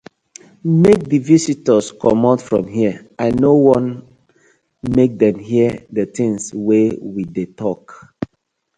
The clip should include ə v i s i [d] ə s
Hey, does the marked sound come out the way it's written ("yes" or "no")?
no